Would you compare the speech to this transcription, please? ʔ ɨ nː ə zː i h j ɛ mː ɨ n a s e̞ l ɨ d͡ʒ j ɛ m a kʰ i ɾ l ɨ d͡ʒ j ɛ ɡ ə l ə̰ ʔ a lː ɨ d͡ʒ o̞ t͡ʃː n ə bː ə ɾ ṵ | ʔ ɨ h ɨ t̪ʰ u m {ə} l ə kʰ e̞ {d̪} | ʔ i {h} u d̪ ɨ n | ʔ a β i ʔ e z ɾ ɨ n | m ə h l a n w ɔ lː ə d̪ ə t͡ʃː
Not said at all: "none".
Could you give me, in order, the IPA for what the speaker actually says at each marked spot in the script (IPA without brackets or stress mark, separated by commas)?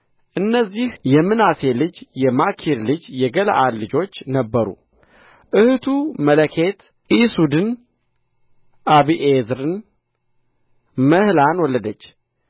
ə, t̪, s